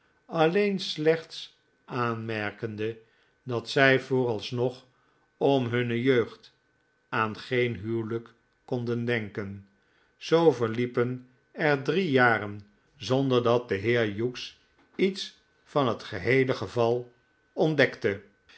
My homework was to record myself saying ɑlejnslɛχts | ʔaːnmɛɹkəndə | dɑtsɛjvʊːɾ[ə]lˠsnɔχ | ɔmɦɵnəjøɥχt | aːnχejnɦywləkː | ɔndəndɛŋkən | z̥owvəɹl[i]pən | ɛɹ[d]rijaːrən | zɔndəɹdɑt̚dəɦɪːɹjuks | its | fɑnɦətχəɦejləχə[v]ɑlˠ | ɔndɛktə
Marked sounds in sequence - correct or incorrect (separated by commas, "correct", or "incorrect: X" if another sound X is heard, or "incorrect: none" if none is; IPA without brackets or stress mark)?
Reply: incorrect: ɑ, correct, correct, correct